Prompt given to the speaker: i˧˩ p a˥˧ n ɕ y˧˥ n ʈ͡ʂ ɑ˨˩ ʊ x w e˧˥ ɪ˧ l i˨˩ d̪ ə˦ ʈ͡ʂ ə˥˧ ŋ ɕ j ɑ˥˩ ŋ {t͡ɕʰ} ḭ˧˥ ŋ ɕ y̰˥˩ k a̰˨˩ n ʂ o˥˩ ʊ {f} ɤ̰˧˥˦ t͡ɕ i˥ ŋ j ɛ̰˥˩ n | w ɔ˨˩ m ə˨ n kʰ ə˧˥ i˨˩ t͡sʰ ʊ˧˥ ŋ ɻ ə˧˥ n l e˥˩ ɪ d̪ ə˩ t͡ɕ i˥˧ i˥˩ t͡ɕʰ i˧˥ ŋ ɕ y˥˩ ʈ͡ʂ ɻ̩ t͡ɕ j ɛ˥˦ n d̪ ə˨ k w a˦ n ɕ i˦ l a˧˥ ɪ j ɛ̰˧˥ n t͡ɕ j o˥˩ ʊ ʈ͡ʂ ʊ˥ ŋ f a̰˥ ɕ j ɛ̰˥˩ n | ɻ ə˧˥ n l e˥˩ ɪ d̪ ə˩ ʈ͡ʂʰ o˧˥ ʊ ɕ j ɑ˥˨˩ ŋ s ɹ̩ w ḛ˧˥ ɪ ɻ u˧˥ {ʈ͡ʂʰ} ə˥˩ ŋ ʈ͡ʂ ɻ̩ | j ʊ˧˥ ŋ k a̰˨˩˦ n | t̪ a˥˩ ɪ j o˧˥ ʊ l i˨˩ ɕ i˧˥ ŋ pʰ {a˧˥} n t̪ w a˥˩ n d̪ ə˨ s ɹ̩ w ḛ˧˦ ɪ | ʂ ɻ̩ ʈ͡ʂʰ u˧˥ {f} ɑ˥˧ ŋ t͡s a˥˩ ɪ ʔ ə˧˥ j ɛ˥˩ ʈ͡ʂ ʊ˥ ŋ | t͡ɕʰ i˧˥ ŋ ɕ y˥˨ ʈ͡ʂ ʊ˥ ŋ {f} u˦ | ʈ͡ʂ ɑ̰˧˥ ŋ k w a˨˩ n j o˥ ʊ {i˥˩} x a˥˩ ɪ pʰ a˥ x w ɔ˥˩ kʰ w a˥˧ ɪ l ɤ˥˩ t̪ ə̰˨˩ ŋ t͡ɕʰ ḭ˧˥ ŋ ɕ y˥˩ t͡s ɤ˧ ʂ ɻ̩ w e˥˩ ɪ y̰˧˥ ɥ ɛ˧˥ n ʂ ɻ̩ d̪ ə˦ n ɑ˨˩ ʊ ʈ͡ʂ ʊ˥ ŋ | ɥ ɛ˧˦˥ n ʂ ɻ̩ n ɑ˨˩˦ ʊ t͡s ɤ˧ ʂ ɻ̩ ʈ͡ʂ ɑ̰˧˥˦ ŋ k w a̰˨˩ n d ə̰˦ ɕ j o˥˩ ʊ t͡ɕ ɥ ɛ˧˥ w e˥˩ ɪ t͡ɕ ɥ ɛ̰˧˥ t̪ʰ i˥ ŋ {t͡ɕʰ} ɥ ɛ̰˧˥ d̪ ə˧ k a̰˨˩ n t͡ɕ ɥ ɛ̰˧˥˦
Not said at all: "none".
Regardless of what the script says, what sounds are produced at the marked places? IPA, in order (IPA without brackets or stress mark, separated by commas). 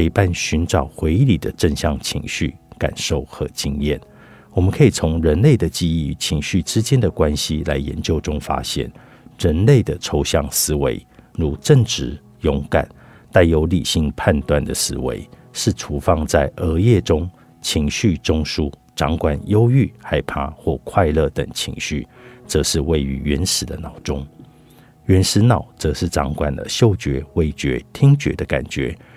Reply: t͡ɕʰ, x, ʈ͡ʂ, a˥˧, f, ʂ, y˥˩, t͡ɕ